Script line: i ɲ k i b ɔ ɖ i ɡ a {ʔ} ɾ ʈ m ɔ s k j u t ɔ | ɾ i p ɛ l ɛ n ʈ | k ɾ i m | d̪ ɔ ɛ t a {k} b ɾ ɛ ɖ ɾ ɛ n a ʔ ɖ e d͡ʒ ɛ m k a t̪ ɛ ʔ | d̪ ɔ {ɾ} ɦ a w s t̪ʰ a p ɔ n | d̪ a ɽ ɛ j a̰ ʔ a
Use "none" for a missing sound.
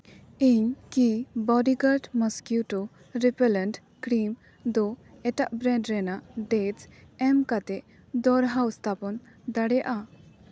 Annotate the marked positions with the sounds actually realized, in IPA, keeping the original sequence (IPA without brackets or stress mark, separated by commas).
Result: none, ʔ, ɾ